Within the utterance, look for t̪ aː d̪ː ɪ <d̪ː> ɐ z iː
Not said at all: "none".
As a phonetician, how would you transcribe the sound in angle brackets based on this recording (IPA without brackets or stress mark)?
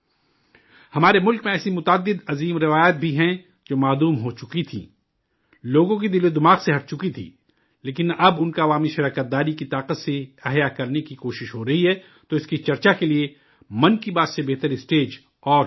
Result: d̪